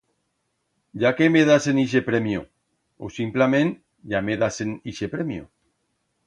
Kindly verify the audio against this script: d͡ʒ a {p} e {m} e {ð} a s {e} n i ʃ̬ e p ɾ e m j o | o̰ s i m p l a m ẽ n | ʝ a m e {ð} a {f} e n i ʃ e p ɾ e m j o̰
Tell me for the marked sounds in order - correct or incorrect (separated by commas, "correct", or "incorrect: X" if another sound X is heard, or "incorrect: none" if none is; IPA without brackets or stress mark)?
incorrect: k, correct, correct, correct, correct, incorrect: s